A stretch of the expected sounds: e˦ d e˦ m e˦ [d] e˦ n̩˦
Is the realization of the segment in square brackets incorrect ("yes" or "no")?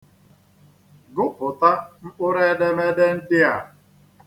no